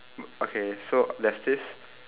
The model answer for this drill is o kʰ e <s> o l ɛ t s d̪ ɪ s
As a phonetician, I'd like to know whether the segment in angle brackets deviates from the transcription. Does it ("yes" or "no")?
no